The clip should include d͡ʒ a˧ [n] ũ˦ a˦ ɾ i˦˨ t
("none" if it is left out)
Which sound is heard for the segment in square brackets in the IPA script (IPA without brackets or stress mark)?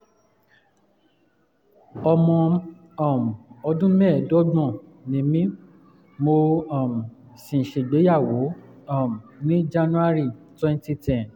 n